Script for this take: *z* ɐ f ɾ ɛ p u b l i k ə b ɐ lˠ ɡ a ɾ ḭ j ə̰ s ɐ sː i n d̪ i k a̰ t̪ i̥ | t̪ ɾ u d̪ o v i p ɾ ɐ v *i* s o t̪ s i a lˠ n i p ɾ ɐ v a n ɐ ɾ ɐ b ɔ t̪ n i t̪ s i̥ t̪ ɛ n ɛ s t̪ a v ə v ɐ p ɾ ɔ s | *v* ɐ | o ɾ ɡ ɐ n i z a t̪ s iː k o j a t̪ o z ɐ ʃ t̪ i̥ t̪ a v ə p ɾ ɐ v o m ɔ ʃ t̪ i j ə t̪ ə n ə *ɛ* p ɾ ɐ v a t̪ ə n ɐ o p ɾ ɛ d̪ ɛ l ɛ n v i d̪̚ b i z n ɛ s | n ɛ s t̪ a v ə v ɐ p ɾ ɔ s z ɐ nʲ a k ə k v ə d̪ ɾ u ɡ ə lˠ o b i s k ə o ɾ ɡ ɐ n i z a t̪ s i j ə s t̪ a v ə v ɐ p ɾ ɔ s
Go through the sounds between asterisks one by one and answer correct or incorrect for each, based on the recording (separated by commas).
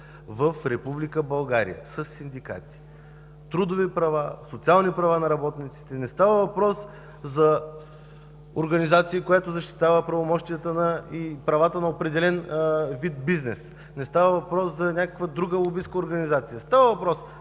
incorrect, incorrect, incorrect, incorrect